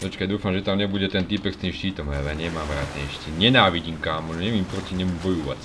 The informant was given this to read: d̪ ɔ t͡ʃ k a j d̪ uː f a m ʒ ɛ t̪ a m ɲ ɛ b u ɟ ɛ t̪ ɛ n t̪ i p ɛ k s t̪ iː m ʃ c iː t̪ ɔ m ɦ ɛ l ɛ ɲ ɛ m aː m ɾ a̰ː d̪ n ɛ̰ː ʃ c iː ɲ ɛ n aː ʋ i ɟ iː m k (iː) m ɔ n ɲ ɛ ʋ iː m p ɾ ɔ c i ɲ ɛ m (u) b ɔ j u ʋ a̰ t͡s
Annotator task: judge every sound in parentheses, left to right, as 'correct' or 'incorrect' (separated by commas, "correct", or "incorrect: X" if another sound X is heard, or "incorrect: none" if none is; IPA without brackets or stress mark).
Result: incorrect: aː, correct